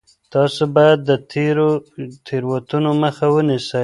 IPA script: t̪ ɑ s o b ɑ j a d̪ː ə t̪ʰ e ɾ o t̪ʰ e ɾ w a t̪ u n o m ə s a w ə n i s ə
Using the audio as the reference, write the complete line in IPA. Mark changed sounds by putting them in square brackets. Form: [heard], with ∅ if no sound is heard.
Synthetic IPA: t̪ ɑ s o b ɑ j a d̪ː ə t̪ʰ e ɾ o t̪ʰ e ɾ w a t̪ u n o m ə [x] a w ə n i s ə